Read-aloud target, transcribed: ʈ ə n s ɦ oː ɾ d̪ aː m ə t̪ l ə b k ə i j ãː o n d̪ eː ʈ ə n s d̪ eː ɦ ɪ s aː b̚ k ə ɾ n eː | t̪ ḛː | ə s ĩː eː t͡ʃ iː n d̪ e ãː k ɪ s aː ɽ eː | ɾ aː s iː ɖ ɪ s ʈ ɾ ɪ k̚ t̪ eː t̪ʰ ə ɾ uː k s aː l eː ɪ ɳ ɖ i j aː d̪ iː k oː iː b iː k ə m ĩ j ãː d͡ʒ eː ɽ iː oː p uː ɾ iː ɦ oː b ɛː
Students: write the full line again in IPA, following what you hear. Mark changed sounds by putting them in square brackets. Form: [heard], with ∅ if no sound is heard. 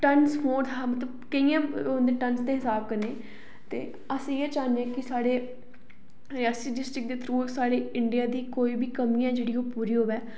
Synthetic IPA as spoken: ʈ ə n s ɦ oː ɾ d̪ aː m ə t̪ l ə b k ə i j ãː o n d̪ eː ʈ ə n s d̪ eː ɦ ɪ s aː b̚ k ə ɾ n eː | t̪ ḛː | ə s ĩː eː t͡ʃ [aː] n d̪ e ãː k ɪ s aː ɽ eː | ɾ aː s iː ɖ ɪ s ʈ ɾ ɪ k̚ [d̪] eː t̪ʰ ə ɾ uː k s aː [ɽ] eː ɪ ɳ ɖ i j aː d̪ iː k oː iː b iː k ə m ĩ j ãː d͡ʒ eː ɽ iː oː p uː ɾ iː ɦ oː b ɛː